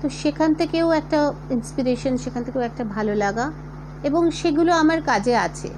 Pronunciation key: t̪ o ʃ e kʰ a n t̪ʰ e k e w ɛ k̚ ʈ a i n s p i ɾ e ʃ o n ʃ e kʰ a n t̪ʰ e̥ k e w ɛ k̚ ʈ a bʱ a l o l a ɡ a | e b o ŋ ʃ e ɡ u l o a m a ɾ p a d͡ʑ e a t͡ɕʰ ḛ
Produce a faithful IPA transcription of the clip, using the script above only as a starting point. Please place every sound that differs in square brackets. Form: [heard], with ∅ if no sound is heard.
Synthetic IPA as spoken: t̪ o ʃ e kʰ a n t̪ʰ e k e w ɛ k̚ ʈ a i n s p i ɾ e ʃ o n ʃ e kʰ a n t̪ʰ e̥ k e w ɛ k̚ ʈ a bʱ a l o l a ɡ a | e b o ŋ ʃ e ɡ u l o a m a ɾ [k] a d͡ʑ e a t͡ɕʰ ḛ